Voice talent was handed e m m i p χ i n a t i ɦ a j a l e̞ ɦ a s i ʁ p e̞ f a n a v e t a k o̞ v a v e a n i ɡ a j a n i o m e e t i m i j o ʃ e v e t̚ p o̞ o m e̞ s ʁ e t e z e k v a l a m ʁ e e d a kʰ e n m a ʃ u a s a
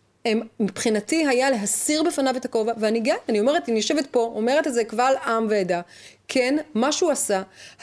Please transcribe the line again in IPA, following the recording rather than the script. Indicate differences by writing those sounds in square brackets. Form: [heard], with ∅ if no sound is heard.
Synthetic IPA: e m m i p χ i n a t i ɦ a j a l e̞ ɦ a s i ʁ [b] e̞ f a n a v e t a k o̞ v a v e a n i ɡ a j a n i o m e e t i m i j o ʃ e v e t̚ p o̞ o m e̞ [∅] ʁ e t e z e k v a l a m [v] e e d a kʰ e n m a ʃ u a s a